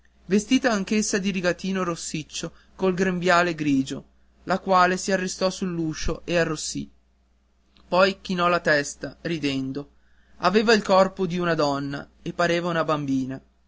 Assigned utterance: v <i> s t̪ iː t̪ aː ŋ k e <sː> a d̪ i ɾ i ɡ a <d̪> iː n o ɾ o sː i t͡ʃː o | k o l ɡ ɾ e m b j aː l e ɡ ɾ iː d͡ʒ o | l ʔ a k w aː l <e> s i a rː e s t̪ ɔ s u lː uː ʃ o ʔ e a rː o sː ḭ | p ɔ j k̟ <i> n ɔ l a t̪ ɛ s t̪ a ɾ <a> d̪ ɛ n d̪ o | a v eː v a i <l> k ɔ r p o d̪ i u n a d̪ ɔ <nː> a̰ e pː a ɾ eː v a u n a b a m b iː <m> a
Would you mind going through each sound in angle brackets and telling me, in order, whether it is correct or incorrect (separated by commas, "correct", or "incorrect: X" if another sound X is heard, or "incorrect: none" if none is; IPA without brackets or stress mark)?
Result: incorrect: e, correct, incorrect: t̪, correct, correct, incorrect: i, correct, correct, incorrect: n